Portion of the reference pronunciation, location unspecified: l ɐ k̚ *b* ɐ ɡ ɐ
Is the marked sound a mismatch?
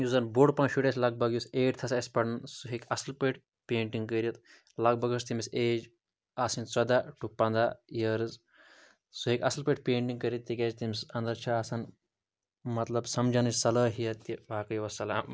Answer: no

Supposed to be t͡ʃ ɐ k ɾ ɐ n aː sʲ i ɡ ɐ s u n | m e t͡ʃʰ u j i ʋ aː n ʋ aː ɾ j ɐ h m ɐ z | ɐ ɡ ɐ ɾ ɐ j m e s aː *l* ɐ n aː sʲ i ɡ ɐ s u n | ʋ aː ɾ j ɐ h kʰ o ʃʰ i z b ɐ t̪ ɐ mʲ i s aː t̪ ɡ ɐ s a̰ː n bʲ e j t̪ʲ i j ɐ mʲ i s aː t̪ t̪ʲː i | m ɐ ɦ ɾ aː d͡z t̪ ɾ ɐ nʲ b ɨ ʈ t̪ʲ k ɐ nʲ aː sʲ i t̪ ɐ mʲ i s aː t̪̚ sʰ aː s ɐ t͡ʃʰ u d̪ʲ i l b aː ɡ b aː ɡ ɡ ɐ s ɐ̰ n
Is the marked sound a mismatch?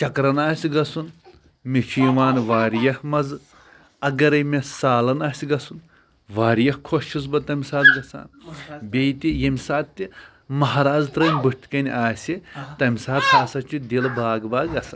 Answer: no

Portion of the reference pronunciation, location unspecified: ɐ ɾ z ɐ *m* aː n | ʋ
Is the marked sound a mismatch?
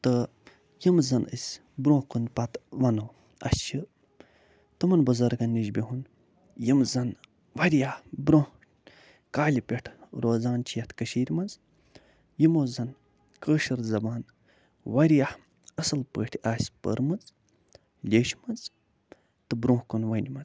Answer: yes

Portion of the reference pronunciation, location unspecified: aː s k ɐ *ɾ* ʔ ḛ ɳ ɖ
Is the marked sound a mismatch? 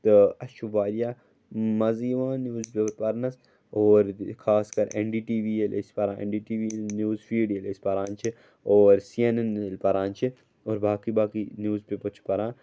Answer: no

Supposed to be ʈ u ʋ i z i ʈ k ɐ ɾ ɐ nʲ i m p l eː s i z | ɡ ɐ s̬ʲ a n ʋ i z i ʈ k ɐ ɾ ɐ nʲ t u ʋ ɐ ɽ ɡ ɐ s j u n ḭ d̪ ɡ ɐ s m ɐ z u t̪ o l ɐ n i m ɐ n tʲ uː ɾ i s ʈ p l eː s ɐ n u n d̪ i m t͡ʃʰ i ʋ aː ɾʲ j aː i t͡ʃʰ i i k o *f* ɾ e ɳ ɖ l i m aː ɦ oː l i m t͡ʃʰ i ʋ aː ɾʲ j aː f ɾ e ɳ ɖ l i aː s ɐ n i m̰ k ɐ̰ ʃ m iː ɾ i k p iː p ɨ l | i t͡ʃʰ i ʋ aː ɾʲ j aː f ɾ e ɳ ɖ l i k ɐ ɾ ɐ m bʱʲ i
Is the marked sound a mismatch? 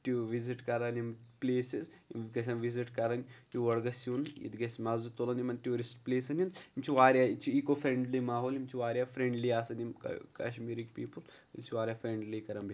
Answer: no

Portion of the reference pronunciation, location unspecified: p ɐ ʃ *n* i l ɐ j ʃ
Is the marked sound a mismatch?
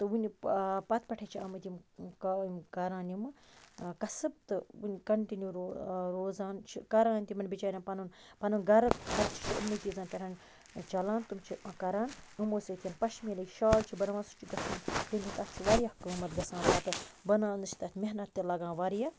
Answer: yes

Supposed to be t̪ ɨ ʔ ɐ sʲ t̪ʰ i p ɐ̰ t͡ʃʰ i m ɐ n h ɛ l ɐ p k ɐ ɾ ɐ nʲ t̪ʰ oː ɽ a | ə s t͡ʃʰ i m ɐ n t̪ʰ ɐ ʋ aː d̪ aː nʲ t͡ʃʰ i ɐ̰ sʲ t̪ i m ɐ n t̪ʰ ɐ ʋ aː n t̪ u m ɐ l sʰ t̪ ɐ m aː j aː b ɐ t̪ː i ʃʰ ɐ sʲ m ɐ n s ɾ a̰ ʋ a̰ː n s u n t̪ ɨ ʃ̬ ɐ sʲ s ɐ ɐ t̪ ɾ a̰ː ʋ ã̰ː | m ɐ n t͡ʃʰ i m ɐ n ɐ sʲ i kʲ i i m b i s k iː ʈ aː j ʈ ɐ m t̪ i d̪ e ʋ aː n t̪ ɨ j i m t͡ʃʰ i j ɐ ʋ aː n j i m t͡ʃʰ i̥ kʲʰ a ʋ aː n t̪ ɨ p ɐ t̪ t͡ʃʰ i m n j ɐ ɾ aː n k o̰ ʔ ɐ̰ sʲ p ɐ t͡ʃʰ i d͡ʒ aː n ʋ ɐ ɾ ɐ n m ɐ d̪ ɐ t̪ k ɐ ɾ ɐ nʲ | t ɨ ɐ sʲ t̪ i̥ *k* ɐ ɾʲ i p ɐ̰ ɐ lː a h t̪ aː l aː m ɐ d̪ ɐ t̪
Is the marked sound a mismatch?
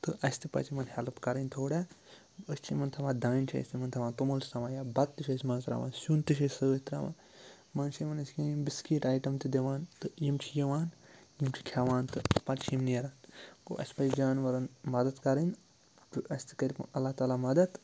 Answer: no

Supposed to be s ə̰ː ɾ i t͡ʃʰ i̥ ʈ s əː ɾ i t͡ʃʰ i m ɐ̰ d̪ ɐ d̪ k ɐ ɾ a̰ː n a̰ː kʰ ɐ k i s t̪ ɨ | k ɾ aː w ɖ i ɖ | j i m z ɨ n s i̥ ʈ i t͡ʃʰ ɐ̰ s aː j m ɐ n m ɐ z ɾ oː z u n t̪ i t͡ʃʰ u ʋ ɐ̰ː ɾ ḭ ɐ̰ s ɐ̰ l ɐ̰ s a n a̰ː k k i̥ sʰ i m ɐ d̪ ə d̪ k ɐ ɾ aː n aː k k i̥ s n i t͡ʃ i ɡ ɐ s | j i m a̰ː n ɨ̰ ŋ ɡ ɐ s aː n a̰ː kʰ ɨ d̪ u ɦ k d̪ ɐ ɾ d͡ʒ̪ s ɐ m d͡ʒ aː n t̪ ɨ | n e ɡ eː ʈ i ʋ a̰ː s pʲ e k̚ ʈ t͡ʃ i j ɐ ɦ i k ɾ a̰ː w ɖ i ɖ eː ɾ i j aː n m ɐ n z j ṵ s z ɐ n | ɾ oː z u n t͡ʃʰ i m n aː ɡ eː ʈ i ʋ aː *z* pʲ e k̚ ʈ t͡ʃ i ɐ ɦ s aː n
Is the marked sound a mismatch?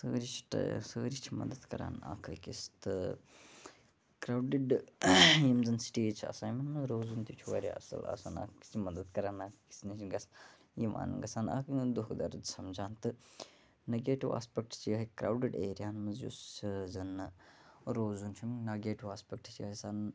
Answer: yes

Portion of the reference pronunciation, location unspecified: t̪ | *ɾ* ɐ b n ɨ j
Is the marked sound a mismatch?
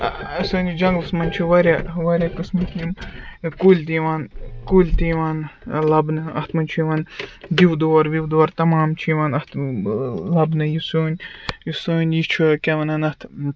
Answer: yes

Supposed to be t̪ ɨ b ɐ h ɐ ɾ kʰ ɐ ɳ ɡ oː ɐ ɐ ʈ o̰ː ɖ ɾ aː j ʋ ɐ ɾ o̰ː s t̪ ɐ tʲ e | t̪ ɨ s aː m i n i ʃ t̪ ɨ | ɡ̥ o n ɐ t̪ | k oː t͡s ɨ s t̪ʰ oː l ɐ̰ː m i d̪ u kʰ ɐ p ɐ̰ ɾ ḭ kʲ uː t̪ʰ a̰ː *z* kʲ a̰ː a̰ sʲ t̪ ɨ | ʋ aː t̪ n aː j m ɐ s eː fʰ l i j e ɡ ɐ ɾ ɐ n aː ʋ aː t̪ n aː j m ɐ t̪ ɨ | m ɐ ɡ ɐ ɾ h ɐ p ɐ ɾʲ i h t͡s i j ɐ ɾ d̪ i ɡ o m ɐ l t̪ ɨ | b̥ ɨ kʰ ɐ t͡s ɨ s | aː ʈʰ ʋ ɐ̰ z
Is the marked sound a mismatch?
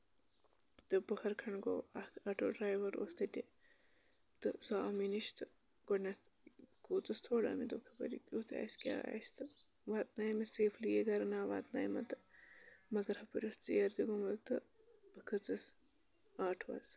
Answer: yes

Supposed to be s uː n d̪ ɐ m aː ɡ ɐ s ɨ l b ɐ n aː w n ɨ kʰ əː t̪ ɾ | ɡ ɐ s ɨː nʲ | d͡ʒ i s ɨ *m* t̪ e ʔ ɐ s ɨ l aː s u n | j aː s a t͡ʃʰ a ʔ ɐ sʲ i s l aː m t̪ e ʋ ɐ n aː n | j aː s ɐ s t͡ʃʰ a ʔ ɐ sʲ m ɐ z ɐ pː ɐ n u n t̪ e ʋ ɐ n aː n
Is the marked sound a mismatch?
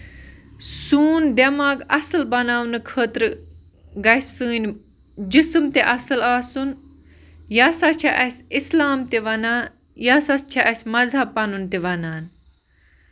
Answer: no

